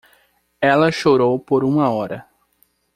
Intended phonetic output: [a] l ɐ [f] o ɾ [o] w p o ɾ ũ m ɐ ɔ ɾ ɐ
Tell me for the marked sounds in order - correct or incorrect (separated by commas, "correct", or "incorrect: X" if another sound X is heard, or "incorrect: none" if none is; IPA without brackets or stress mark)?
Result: incorrect: ɛ, incorrect: ʃ, correct